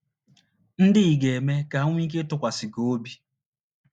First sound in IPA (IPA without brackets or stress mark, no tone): n̩